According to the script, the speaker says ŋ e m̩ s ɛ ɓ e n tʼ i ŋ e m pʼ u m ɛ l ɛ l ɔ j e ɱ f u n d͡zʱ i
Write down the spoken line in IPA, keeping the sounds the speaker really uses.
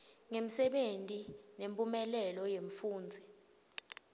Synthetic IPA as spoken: ŋ e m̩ s ɛ ɓ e n tʼ i n e m pʼ u m ɛ l ɛ l ɔ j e ɱ f uː n d͡zʱ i